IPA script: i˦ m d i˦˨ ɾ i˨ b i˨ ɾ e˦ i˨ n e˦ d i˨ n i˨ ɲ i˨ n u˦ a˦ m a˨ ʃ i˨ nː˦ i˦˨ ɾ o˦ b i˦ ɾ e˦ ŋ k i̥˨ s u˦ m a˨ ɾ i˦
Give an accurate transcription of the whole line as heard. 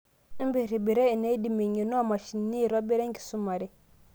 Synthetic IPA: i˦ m b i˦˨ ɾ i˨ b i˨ ɾ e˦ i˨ n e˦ d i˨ m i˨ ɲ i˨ n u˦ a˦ m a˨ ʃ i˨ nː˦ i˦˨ ɾ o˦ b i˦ ɾ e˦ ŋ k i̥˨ s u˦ m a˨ ɾ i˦